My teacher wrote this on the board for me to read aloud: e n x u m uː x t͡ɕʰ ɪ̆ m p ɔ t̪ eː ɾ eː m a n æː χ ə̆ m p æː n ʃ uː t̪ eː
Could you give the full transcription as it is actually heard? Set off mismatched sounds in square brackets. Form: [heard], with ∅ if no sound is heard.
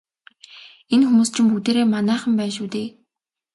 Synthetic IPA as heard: e n x u m uː [s] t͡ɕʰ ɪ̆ m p [u] t̪ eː ɾ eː m a n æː χ ə̆ m p æː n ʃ uː t̪ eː